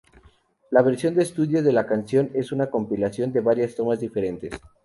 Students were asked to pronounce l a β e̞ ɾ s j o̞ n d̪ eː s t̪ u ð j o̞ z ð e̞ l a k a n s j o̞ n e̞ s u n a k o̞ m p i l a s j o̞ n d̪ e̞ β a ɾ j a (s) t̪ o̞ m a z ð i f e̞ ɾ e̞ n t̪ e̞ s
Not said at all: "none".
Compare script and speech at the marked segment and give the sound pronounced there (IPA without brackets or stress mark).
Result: s